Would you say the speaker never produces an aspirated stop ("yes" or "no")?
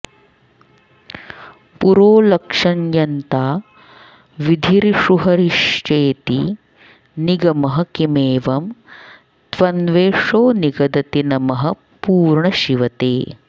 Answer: yes